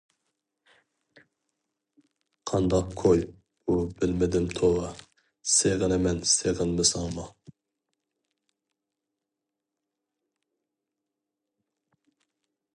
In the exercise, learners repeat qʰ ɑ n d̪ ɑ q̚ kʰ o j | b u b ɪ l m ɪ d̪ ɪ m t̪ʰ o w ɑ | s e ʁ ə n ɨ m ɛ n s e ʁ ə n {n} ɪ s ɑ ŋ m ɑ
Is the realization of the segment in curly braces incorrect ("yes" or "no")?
yes